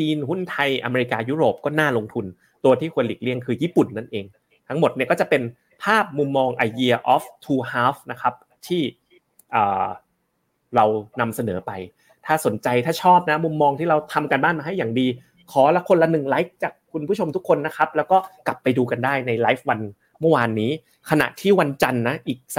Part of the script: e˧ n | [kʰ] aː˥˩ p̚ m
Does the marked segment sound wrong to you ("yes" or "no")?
yes